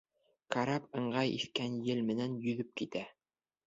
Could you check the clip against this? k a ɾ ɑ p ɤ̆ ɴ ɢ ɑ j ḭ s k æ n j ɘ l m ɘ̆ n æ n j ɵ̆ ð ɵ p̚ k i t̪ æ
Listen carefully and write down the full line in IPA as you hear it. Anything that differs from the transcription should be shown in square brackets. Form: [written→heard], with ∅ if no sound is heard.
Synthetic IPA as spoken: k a ɾ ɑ p ɤ̆ ɴ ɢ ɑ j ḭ [s→θ] k æ n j ɘ l m ɘ̆ n æ n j ɵ̆ ð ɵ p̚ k i t̪ æ